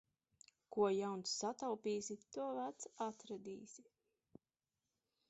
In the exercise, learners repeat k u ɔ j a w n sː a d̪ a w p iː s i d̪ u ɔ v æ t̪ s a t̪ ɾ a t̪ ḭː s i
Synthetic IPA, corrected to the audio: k u ɔ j a w n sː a t̪ a w p iː s i t̪ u ɔ v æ t̪ s a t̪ ɾ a d̪ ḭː s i